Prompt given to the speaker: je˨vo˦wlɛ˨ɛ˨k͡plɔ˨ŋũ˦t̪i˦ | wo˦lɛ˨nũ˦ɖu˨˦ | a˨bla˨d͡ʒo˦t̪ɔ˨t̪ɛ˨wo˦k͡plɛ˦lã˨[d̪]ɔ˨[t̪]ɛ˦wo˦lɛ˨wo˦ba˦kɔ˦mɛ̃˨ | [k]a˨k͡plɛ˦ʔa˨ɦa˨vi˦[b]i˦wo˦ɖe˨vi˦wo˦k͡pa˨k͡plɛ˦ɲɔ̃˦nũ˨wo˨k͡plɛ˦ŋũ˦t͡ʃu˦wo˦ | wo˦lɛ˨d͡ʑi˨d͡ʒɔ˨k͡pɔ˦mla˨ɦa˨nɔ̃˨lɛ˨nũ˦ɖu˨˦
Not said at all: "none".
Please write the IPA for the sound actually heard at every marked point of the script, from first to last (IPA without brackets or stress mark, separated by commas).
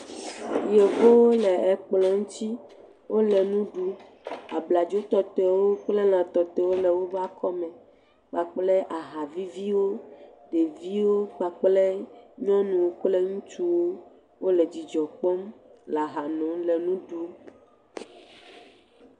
t̪, t̪, k͡p, v